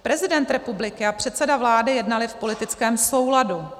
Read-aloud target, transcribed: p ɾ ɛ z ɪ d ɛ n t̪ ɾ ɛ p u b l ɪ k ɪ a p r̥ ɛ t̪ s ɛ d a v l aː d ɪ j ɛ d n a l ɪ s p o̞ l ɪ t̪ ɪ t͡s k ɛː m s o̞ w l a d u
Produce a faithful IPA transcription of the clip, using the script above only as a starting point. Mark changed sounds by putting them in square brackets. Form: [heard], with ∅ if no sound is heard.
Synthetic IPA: p ɾ ɛ z ɪ d ɛ n t̪ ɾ ɛ p u b l ɪ k ɪ a p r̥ ɛ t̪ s ɛ d a v l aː d ɪ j ɛ d n a l ɪ [f] p o̞ l ɪ t̪ ɪ t͡s k ɛː m s o̞ w l a d u

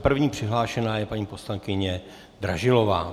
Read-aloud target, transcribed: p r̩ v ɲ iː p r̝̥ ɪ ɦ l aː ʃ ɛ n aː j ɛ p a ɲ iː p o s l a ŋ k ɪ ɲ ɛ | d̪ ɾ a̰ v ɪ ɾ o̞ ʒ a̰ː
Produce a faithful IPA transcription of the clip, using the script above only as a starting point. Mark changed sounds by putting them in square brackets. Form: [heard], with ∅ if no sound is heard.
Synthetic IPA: p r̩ v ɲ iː p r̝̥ ɪ ɦ l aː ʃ ɛ n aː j ɛ p a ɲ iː p o s l a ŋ k ɪ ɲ ɛ | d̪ ɾ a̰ [ʒ] ɪ [l] o̞ [v] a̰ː

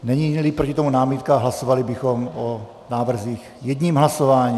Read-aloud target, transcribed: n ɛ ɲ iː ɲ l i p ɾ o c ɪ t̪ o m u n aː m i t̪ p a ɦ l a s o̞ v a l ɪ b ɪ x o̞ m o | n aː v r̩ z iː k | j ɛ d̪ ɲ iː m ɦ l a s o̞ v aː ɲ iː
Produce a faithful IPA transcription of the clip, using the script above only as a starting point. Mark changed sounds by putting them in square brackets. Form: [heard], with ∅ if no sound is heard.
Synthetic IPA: n ɛ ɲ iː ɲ l i p ɾ o c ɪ t̪ o m u n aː m i t̪ [k] a ɦ l a s o̞ v a l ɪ b ɪ x o̞ m o | n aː v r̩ z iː [x] | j ɛ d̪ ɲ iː m ɦ l a s o̞ v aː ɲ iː

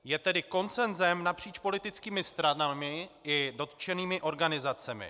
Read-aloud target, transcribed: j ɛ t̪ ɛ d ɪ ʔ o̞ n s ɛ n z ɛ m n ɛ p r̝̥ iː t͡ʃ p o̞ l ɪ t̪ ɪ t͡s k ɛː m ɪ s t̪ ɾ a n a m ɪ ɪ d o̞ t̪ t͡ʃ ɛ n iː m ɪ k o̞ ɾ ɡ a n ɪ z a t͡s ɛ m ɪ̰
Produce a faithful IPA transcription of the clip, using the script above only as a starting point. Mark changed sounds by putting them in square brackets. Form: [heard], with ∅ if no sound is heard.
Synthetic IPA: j ɛ t̪ ɛ d ɪ [k] o̞ n [t͡s] ɛ n z ɛ m n [a] p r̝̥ iː t͡ʃ p o̞ l ɪ t̪ ɪ t͡s k [iː] m ɪ s t̪ ɾ a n a m ɪ ɪ d o̞ t̪ t͡ʃ ɛ n iː m ɪ [ʔ] o̞ ɾ ɡ a n ɪ z a t͡s ɛ m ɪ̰

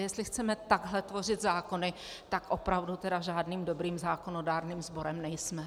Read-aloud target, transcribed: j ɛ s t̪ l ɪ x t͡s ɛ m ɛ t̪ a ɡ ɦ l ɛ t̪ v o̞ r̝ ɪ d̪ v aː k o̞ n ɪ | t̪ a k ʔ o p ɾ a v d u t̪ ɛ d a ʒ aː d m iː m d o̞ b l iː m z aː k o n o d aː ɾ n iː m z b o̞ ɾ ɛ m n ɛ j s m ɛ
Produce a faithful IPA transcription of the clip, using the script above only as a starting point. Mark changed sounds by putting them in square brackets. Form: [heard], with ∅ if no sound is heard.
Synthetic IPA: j ɛ s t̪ l ɪ x t͡s ɛ m ɛ t̪ a ɡ ɦ l ɛ t̪ v o̞ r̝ ɪ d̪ [z] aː k o̞ n ɪ | t̪ a k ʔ o p ɾ a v d u t̪ ɛ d a ʒ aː d [n] iː m d o̞ b [ɾ] iː m z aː k o n o d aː ɾ n iː m z b o̞ ɾ ɛ m n ɛ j s m ɛ

